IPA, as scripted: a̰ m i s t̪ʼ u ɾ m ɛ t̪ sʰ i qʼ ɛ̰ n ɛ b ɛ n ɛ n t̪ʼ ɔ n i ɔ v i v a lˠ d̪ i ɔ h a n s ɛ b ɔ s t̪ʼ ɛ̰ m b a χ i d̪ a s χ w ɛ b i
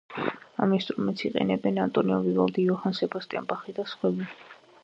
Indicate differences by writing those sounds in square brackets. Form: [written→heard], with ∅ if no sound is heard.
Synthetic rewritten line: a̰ m i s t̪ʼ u ɾ m ɛ t̪ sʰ i qʼ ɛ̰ n ɛ b ɛ n [ɛ→a] n t̪ʼ ɔ n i ɔ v i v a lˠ d̪ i ɔ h a n s ɛ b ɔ s t̪ʼ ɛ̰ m b a χ i d̪ a s χ w ɛ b i